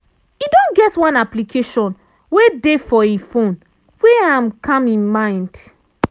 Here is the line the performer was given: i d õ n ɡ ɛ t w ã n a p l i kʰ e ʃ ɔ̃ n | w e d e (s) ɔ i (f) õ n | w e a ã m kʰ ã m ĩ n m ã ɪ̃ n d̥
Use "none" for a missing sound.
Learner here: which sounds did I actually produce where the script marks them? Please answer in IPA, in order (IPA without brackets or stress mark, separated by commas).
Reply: f, f